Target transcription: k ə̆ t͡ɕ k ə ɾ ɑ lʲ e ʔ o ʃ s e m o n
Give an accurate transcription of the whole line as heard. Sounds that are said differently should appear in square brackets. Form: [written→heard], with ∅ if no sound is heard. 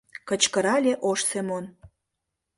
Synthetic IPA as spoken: k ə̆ t͡ɕ k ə ɾ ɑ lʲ e ʔ o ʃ s e m o n